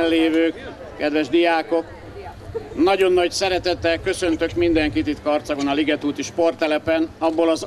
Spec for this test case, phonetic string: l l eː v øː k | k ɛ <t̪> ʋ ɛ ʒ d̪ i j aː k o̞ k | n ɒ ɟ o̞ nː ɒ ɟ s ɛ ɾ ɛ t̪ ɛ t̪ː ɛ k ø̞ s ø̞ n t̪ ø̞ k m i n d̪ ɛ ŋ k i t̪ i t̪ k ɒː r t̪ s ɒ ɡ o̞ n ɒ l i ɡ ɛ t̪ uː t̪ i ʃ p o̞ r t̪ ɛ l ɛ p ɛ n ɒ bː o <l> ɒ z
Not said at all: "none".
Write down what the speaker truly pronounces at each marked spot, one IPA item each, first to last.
d̪, l

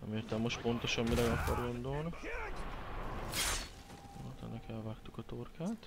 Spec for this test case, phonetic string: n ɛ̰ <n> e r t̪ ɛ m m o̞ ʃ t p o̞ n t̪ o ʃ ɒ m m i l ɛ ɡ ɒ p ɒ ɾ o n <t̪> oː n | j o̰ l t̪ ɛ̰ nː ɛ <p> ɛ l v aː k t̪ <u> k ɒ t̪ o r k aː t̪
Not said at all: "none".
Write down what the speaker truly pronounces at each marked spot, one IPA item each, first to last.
m, d̪, k, u

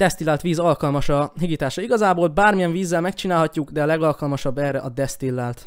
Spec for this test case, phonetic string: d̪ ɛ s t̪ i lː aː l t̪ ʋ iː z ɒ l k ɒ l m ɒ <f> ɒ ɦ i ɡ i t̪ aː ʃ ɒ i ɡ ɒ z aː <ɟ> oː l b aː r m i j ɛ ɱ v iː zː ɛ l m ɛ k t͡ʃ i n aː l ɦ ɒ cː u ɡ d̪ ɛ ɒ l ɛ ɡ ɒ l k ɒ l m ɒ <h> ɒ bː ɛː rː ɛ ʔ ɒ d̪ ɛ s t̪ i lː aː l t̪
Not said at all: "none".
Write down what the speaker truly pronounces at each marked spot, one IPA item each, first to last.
ʃ, b, ʃ

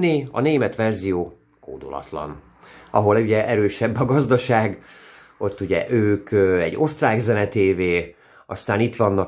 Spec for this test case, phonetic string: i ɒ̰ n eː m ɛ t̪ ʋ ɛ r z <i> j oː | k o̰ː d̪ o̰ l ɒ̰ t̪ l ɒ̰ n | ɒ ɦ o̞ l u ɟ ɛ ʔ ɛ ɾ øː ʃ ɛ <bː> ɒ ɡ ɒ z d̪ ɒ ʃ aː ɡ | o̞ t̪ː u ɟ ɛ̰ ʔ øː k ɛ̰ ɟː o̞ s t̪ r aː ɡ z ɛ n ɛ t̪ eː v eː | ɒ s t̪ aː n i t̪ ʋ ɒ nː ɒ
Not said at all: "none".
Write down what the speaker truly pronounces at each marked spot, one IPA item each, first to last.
i, bː

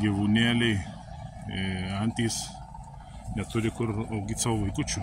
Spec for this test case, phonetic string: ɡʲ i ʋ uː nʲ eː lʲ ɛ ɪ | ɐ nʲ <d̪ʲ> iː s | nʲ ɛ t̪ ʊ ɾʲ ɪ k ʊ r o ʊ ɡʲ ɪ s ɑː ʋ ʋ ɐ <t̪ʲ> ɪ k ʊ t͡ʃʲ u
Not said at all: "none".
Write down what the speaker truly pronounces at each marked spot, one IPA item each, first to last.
t̪ʲ, none

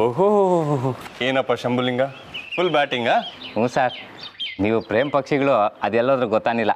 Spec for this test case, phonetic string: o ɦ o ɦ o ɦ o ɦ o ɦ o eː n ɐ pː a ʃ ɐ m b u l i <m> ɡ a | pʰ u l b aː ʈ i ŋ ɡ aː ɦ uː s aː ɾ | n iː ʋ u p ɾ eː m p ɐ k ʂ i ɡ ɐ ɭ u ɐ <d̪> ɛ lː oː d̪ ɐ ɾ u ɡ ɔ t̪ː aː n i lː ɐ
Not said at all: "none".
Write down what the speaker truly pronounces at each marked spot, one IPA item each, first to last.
ŋ, d̪

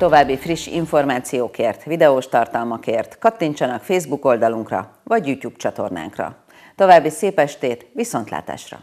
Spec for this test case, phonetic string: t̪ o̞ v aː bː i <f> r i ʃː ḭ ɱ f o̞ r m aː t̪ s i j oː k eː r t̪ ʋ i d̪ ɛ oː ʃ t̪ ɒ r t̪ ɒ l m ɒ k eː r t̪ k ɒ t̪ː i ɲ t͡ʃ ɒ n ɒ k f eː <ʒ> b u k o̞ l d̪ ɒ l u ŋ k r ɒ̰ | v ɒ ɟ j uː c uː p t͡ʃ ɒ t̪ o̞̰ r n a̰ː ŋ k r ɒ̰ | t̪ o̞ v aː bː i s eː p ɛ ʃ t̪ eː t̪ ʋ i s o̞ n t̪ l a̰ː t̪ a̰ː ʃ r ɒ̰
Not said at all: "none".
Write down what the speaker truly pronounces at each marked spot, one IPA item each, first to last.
f, z

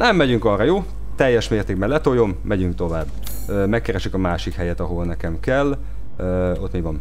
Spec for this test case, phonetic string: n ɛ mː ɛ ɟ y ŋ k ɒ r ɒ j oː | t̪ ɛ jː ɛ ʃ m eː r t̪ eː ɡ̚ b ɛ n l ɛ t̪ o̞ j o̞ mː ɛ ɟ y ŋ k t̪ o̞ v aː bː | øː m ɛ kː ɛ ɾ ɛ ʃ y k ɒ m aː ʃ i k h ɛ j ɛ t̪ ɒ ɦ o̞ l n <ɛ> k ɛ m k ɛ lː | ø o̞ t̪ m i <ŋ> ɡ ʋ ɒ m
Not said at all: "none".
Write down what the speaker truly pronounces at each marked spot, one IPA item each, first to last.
ɛ, none

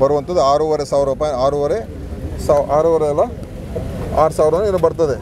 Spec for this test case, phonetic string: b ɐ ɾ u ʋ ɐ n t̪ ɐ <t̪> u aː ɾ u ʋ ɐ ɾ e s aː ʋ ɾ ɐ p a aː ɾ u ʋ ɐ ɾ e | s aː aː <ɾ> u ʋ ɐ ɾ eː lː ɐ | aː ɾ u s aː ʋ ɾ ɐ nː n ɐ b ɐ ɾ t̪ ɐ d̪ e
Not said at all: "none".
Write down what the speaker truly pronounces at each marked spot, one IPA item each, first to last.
d̪, ɾ

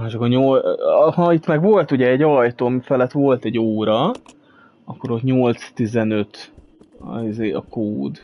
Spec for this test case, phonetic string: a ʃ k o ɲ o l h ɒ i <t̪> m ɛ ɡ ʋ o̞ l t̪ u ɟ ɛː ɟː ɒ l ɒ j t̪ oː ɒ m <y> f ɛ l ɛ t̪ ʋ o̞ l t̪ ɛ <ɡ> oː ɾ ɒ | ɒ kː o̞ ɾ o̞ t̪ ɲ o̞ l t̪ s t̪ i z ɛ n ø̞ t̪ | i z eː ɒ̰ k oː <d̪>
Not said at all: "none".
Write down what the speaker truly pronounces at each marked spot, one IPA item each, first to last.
t̪, i, ɟ, d̪

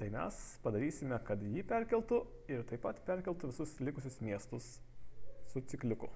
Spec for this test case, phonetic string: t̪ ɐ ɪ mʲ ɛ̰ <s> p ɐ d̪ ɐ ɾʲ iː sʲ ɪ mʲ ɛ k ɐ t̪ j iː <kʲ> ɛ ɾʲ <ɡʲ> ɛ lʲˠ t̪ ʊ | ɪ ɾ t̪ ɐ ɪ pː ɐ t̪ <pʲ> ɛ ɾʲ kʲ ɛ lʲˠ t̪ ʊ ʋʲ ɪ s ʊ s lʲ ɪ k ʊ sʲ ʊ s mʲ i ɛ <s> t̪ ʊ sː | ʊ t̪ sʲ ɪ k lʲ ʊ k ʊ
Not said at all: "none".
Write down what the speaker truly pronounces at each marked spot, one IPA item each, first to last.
s, pʲ, kʲ, pʲ, s

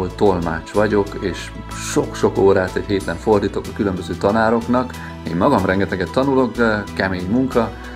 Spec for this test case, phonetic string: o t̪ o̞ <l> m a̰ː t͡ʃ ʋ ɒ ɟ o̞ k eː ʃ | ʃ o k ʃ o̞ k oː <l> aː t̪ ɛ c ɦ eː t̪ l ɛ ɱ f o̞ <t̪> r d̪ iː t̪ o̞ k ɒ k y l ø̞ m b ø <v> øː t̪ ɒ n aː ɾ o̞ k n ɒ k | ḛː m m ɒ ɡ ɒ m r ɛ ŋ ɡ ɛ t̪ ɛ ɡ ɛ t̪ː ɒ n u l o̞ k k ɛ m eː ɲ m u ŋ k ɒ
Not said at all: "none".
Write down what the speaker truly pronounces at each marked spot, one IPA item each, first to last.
l, ɾ, none, z

